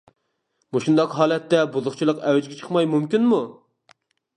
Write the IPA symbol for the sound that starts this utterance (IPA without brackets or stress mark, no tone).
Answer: m